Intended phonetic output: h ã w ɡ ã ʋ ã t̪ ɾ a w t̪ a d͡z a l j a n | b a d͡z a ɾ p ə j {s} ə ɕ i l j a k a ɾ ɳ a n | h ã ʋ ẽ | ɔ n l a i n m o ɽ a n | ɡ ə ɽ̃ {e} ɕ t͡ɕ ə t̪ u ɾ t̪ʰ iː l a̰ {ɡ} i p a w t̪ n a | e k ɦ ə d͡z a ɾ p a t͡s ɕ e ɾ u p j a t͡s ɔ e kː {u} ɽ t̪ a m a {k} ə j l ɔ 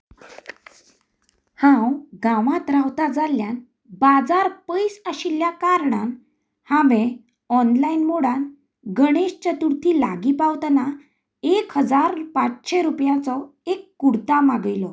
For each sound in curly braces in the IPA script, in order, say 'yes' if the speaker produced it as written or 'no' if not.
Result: yes, yes, yes, yes, no

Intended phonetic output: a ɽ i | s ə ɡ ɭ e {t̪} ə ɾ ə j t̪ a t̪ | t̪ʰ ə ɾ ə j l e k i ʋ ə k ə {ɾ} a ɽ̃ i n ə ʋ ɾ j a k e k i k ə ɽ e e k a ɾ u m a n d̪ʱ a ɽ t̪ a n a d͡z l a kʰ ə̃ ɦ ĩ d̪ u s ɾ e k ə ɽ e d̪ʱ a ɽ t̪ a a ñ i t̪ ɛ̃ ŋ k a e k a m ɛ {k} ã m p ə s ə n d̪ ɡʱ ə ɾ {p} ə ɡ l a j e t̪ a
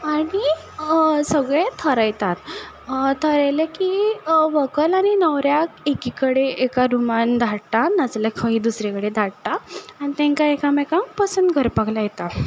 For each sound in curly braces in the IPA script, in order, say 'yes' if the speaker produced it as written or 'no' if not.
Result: no, no, yes, yes

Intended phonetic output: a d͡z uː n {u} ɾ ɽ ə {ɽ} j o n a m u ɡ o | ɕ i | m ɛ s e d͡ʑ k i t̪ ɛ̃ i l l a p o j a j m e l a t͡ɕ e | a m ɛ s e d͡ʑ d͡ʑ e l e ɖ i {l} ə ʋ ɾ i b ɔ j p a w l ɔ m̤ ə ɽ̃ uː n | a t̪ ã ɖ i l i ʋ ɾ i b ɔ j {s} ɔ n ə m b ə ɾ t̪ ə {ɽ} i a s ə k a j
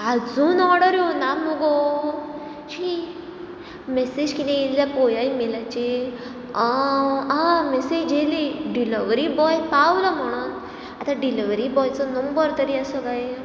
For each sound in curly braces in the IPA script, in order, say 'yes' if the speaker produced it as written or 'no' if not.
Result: no, no, yes, no, no

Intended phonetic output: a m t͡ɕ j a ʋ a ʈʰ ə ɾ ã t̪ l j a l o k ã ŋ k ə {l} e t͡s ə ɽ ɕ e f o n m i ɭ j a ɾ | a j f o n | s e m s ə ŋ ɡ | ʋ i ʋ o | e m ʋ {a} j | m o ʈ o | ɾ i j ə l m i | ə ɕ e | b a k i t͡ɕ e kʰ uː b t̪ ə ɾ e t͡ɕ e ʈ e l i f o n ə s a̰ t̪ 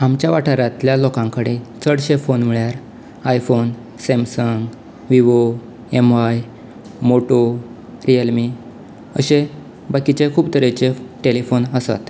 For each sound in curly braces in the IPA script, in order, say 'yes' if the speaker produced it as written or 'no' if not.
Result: no, yes

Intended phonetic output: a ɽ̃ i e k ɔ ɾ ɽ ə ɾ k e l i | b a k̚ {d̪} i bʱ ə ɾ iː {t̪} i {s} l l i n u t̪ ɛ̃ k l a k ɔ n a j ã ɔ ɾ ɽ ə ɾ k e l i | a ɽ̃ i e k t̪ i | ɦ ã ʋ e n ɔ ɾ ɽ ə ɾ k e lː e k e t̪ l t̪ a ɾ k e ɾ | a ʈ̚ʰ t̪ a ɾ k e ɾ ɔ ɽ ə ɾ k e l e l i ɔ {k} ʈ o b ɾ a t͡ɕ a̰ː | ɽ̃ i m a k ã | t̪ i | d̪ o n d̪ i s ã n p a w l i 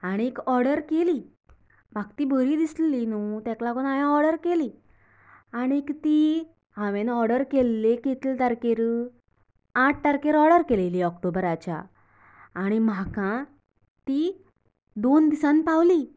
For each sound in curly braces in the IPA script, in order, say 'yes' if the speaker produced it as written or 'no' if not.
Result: no, no, yes, yes

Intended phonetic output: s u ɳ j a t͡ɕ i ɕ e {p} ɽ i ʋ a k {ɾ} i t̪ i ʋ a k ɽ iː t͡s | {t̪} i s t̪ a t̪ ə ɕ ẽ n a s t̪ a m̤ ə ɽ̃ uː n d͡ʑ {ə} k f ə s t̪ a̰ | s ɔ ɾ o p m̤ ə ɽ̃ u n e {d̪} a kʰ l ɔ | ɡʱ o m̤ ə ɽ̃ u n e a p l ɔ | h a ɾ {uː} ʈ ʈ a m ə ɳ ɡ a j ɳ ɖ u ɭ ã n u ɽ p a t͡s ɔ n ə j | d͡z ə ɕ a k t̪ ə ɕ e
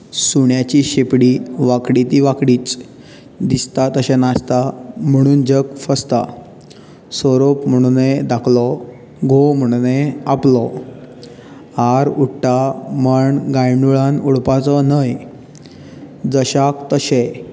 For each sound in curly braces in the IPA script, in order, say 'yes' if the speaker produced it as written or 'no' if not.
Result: yes, no, no, yes, yes, no

